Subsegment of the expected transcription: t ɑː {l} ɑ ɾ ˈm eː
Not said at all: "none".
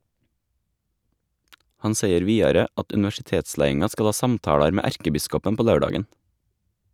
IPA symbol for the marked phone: ɽ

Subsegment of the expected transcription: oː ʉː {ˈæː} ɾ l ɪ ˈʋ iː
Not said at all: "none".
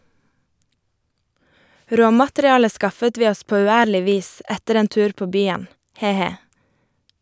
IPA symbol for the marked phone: æː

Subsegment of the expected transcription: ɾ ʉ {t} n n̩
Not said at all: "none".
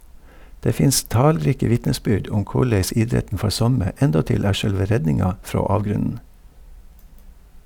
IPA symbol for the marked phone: none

